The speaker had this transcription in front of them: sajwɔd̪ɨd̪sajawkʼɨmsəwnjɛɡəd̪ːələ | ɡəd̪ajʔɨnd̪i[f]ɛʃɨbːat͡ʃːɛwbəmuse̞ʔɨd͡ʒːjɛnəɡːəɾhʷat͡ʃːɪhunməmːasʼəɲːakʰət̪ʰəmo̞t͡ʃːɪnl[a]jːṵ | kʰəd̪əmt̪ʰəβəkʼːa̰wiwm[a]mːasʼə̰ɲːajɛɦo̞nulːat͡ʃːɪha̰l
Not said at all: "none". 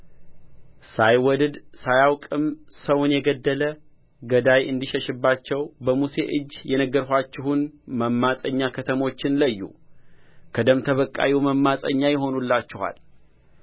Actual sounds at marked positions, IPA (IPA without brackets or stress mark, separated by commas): ʃ, ə, ə